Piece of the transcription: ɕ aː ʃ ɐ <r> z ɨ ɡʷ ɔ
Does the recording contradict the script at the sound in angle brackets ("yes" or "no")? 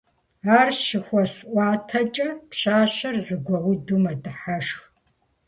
no